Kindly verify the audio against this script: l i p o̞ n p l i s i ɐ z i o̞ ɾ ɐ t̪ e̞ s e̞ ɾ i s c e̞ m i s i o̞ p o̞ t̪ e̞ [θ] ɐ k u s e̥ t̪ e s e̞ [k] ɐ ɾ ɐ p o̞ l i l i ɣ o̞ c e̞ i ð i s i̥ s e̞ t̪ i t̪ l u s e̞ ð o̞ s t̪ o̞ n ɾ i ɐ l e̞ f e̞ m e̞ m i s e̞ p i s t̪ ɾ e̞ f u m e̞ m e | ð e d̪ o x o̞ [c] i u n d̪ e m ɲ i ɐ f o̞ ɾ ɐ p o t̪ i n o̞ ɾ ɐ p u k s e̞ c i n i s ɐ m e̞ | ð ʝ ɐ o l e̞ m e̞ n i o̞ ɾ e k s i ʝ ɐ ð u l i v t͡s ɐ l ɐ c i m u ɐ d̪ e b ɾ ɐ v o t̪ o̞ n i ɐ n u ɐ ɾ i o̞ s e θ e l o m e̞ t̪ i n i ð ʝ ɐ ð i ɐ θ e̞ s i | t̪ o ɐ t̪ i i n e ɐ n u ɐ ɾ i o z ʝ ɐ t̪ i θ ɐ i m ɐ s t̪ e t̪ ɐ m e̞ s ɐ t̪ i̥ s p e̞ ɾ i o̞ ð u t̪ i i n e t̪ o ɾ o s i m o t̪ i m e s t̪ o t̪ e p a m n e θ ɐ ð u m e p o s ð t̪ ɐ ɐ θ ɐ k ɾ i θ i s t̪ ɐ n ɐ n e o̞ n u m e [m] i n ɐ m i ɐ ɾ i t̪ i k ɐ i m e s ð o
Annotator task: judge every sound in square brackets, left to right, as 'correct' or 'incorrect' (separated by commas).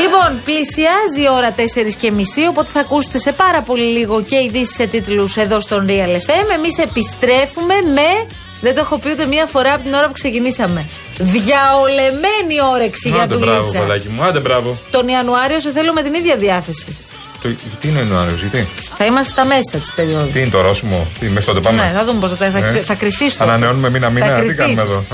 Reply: correct, incorrect, incorrect, correct